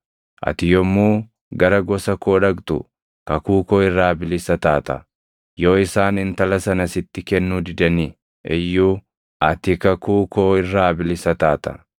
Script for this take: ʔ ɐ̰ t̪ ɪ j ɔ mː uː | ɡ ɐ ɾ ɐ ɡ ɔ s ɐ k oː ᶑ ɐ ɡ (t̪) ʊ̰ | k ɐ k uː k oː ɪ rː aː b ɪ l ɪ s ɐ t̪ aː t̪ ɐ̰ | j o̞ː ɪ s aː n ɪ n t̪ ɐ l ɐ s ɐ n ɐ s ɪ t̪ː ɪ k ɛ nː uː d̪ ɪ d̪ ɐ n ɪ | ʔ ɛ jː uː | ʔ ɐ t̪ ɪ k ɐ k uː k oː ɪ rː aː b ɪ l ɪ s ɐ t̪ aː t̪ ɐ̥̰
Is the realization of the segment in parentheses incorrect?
no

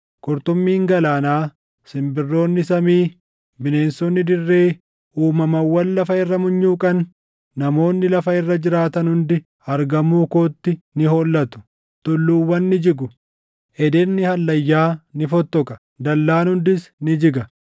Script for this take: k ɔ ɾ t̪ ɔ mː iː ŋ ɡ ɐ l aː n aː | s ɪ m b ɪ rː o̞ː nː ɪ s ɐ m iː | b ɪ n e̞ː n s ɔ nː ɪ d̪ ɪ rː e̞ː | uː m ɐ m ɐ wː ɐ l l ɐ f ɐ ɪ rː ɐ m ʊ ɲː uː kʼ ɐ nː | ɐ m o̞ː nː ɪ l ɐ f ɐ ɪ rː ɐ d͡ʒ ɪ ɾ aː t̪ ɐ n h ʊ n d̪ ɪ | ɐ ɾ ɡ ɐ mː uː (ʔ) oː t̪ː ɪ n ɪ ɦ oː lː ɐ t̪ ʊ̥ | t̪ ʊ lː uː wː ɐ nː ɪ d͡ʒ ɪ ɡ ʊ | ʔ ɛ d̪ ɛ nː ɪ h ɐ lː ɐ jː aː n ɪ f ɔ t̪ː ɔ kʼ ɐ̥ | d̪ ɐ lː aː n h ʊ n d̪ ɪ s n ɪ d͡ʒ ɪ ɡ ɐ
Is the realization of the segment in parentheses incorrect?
yes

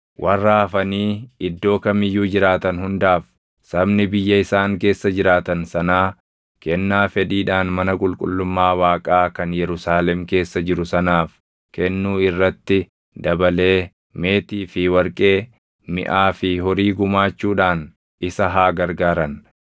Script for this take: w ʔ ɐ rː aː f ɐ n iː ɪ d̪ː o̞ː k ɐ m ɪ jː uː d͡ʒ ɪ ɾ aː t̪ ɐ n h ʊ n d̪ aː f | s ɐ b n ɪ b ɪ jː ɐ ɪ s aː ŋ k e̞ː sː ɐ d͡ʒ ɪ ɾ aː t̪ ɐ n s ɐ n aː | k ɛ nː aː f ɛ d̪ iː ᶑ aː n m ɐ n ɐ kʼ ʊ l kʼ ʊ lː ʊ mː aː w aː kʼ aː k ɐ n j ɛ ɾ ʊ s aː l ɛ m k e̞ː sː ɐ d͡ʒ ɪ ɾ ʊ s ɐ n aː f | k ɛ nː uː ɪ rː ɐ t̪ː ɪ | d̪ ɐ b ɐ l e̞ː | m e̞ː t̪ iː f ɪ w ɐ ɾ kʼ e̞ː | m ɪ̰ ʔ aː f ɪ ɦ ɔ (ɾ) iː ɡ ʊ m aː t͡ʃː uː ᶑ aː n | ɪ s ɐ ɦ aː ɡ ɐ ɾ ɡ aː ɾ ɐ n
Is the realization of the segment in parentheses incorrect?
no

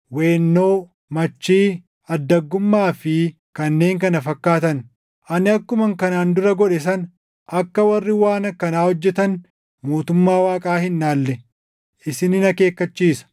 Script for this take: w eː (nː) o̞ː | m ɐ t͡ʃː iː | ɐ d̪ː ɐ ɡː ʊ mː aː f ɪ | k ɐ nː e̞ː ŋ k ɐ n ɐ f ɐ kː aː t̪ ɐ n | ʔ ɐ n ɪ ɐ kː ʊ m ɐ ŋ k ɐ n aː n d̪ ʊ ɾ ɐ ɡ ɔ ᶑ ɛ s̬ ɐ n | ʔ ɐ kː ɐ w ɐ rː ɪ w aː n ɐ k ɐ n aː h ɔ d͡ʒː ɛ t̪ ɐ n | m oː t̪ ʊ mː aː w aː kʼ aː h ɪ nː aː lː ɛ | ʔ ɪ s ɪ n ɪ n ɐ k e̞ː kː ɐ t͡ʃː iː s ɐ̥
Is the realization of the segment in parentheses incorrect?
no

